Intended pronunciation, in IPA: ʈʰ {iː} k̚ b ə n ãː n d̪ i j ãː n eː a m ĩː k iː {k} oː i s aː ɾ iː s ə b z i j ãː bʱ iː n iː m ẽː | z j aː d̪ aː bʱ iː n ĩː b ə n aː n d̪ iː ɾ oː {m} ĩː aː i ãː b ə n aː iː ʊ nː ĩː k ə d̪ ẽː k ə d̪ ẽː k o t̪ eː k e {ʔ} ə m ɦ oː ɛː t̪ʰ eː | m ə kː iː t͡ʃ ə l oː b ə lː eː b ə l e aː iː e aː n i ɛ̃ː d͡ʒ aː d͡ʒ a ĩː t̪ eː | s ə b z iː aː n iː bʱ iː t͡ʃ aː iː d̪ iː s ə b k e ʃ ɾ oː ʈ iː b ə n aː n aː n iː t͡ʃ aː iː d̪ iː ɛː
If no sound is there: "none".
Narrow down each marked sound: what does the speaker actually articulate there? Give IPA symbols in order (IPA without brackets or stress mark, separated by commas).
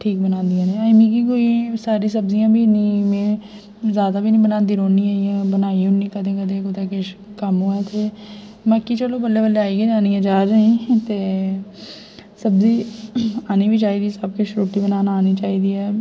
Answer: iː, k, n, k